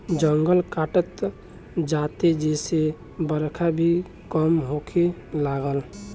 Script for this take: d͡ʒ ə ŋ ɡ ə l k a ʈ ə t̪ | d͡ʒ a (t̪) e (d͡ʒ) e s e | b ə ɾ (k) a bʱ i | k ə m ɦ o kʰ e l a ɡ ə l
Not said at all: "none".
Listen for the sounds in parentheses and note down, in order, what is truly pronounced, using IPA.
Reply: t̪, d͡ʒ, kʰ

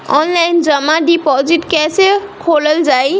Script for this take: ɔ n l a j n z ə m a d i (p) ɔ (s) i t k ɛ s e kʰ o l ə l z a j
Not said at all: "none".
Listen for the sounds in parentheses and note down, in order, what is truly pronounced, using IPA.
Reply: p, z

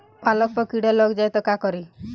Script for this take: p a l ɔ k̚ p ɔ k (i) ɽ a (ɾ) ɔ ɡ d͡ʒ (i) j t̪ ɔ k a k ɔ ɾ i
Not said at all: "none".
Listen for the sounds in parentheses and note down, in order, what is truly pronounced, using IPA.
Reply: i, l, a

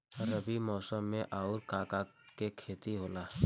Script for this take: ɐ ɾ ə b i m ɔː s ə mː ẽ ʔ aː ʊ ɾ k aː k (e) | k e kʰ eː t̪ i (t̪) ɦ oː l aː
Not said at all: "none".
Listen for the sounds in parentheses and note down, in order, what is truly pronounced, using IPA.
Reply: a, none

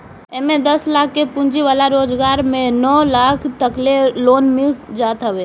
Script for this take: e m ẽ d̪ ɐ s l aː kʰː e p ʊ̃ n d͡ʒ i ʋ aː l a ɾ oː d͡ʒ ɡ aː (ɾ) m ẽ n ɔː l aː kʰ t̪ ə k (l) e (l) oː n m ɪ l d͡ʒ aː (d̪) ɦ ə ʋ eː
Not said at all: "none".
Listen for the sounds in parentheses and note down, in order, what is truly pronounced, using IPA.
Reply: ɾ, l, l, t̪

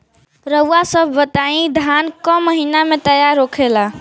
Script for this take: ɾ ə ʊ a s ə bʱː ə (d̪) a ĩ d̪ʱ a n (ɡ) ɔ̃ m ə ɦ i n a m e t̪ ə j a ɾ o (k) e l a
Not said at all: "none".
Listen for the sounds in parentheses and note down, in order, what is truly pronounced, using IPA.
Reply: t̪, k, kʰ

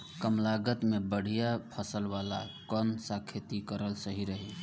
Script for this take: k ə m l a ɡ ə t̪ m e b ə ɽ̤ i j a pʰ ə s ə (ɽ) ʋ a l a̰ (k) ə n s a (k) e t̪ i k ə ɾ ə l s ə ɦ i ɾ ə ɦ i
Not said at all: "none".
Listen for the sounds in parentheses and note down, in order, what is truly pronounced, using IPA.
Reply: l, k, kʰ

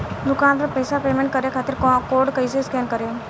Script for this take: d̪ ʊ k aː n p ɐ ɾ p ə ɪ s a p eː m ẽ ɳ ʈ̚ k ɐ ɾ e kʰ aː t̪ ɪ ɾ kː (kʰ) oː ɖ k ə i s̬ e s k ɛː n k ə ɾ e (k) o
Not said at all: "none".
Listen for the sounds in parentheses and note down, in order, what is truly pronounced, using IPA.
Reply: k, none

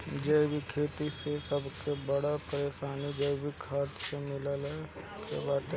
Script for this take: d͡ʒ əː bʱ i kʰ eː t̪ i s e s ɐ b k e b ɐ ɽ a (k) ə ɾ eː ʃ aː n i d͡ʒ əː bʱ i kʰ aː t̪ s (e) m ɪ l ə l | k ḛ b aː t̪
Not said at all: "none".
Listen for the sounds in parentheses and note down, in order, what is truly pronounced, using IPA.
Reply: p, e

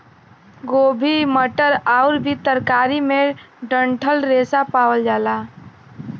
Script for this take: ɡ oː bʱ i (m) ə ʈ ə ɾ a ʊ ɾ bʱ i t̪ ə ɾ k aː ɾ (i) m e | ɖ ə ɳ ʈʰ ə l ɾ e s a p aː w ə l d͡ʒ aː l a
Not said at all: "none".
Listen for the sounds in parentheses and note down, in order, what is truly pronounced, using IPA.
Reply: m, i

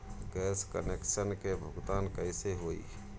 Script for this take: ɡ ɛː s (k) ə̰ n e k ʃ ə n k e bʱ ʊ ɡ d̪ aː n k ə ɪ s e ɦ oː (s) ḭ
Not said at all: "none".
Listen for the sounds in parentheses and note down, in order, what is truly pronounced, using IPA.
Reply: k, none

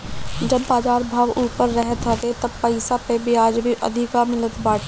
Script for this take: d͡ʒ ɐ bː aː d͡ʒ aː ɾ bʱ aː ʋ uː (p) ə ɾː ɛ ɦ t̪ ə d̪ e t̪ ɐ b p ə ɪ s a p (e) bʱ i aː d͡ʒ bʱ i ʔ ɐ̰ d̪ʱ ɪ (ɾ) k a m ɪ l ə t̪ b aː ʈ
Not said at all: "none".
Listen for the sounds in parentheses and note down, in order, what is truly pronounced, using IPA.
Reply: p, e, none

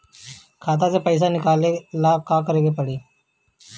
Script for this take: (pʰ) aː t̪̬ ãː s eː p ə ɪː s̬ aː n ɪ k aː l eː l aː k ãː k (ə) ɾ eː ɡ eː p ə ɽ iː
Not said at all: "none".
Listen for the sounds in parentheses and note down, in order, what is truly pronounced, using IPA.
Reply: kʰ, ə

